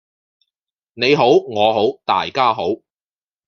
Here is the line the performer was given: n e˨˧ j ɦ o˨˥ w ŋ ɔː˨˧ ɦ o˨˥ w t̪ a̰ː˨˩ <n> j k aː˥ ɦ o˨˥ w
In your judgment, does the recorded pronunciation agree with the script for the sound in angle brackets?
no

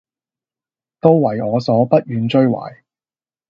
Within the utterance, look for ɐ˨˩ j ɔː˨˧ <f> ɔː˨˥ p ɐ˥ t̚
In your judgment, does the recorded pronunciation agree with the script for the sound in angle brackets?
no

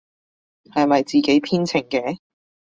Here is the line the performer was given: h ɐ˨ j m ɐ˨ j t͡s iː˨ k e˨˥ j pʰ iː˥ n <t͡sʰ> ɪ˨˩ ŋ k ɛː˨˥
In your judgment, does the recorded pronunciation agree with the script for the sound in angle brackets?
yes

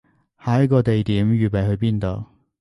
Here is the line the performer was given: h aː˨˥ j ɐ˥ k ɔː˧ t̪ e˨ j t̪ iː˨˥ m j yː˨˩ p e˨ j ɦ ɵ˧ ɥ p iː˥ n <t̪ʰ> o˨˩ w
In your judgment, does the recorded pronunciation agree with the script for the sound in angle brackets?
no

